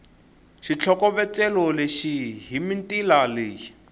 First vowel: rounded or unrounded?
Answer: unrounded